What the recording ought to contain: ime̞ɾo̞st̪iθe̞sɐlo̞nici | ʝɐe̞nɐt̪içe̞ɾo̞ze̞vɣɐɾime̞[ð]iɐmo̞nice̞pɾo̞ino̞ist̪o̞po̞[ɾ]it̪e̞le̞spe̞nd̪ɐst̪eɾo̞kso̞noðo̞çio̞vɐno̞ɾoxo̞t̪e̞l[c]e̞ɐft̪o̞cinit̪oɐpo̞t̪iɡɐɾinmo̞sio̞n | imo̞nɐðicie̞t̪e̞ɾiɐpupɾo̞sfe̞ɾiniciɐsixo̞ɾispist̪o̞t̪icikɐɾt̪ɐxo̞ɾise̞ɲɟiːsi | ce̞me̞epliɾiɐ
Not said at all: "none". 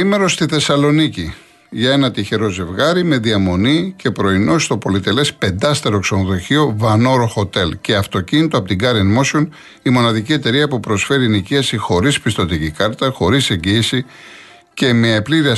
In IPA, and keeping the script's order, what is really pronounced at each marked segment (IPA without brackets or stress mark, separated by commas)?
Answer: ð, l, c